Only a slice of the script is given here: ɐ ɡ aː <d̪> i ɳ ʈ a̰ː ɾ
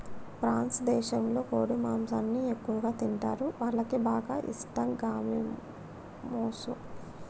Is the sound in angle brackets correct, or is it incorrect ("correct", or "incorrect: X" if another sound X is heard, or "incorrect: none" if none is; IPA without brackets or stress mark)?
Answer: incorrect: t̪